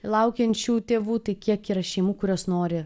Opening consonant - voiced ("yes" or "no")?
yes